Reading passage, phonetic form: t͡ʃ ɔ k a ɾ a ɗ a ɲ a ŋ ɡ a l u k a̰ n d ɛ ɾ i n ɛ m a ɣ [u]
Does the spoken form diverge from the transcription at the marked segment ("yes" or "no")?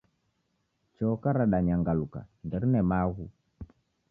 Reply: no